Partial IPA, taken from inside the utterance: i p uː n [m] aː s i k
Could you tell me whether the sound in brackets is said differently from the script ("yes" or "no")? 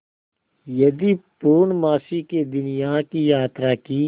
no